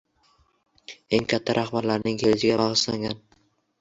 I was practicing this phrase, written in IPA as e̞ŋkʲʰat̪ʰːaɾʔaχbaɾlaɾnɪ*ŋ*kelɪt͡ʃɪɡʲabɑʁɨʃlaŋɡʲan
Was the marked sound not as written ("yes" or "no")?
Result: no